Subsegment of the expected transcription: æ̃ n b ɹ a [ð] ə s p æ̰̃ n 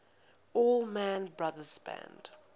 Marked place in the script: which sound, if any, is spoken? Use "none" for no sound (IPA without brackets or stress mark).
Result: ð